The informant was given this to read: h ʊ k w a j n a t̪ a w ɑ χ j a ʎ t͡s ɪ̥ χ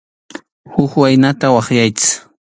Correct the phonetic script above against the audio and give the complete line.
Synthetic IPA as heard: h ʊ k w a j n a t̪ a w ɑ χ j a j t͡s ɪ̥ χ